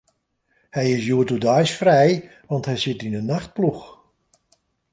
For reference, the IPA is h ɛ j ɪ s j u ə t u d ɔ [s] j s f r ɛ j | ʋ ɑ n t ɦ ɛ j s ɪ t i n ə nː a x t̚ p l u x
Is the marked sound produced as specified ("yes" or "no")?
no